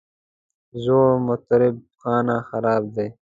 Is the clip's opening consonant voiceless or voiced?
voiced